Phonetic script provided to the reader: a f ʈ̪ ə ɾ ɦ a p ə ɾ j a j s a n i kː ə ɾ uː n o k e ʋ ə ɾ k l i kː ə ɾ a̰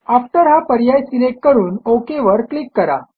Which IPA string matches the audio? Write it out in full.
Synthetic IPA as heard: a f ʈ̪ ə ɾ ɦ a p ə ɾ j a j s i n e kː ə ɾ uː n o k e ʋ ə ɾ k l i kː ə ɾ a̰